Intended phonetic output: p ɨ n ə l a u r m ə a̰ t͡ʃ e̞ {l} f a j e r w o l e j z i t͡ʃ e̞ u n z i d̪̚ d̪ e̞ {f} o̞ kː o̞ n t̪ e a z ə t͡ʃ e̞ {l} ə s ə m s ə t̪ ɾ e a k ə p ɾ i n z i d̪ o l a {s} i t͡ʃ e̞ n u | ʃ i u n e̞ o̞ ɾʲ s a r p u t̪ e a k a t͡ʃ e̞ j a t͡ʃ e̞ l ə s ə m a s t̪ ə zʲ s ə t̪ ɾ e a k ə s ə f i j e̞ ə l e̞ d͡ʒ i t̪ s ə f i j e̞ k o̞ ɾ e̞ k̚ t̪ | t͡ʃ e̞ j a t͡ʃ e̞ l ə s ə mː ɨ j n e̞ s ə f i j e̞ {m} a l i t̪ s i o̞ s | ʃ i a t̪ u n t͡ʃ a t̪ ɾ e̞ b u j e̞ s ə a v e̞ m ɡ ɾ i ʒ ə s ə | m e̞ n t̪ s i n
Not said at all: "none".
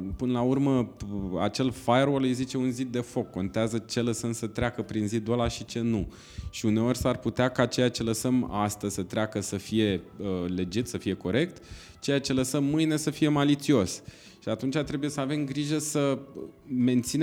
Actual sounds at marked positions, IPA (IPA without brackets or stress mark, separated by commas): l, f, l, ʃ, m